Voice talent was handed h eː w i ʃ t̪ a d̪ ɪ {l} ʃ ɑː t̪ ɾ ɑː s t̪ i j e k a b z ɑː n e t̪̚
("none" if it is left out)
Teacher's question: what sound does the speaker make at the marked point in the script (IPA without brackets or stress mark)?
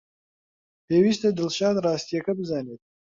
l